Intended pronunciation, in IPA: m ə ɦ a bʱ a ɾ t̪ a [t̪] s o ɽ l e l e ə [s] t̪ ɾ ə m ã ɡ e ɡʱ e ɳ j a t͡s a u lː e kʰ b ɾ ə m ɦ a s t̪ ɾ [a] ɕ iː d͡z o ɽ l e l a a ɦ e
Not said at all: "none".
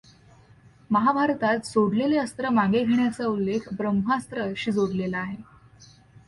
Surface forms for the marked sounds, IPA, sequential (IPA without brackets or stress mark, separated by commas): t̪, s, ə